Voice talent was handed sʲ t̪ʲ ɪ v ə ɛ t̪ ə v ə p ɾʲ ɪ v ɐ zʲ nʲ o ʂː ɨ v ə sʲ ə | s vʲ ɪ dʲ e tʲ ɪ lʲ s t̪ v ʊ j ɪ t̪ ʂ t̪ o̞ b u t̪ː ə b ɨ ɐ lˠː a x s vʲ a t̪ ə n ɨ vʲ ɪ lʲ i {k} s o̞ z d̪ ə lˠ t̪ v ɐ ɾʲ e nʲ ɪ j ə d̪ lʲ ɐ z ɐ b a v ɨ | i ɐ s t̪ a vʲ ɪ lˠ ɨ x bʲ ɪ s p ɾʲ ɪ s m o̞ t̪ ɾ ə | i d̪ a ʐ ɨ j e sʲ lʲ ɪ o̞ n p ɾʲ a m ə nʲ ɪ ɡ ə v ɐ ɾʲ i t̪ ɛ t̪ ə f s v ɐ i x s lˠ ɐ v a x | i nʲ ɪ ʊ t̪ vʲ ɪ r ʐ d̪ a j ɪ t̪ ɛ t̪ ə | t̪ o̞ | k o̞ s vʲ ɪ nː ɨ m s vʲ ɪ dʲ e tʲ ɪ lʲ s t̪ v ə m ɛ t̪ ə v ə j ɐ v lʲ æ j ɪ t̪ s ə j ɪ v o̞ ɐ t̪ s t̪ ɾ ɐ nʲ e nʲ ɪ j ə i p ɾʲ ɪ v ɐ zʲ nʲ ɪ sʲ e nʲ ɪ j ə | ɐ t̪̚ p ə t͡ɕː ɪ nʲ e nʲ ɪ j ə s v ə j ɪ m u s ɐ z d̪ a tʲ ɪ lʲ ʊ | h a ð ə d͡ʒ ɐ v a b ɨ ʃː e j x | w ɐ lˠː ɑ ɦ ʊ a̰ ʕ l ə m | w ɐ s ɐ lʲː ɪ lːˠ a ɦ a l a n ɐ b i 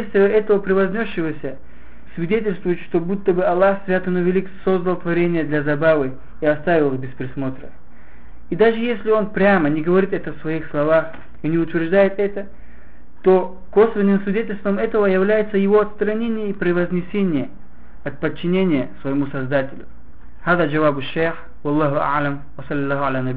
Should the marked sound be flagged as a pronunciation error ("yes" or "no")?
no